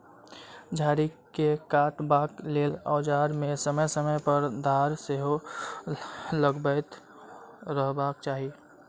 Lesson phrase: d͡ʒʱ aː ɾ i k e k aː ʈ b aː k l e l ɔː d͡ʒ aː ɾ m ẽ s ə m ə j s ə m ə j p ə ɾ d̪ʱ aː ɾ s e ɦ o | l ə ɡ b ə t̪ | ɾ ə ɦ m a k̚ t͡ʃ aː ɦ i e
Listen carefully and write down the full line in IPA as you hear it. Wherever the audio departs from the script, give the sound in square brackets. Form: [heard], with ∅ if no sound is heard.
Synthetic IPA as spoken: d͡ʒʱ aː ɾ i k e k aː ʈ b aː k l e l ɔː d͡ʒ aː ɾ m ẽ s ə m ə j s ə m ə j p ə ɾ d̪ʱ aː ɾ s e ɦ o | l ə ɡ b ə t̪ | ɾ ə ɦ [b] a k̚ t͡ʃ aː ɦ i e